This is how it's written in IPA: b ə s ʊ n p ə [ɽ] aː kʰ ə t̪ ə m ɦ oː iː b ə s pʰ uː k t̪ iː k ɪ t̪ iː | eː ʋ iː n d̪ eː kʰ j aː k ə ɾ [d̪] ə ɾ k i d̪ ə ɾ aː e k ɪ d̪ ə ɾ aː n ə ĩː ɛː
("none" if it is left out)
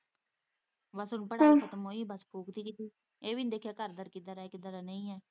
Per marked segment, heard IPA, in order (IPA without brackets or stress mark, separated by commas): ɽ, d̪